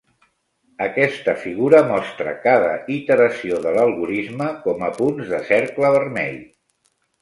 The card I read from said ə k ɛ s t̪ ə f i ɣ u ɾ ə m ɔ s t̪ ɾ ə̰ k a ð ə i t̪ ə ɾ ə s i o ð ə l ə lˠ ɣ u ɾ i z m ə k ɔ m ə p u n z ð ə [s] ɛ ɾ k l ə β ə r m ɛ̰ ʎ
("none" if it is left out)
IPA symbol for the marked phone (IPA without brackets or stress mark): s